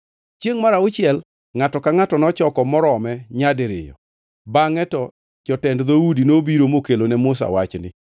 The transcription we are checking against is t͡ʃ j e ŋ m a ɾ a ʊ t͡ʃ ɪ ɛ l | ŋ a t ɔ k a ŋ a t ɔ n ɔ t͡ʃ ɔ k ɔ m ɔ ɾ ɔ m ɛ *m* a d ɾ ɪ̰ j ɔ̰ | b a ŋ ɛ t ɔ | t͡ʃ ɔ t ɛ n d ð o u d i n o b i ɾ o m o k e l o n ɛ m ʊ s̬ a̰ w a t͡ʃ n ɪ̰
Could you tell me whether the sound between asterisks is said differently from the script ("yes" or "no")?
yes